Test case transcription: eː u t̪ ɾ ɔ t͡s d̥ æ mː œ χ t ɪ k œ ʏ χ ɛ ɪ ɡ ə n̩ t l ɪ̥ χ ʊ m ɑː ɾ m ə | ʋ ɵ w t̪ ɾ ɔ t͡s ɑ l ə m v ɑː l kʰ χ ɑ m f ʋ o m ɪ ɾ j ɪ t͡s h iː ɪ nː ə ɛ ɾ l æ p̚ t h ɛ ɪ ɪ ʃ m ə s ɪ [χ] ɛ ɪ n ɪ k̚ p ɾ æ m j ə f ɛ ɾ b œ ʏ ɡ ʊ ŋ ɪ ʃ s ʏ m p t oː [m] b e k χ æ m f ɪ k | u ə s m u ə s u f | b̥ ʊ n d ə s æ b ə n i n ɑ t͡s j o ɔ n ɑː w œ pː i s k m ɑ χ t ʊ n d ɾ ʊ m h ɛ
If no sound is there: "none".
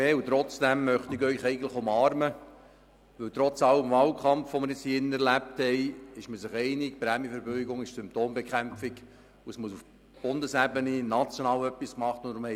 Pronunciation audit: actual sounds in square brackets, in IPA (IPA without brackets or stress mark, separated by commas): χ, m